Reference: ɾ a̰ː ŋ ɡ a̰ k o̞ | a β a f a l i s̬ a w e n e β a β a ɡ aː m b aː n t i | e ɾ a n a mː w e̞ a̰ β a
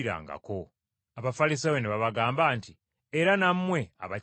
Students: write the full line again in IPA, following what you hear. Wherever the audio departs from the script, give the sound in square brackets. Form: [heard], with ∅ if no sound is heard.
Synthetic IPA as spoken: ɾ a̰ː ŋ ɡ a̰ k o̞ | a β a f a l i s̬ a w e n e β a β a ɡ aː m b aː n t i | e ɾ a n a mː w e̞ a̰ β a